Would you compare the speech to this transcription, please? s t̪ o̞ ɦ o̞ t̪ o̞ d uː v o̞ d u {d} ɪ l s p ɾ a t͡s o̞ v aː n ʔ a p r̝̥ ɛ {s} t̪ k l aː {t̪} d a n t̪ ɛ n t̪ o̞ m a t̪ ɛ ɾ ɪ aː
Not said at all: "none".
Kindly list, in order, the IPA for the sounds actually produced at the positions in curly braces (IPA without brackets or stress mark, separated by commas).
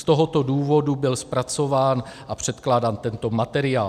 b, none, none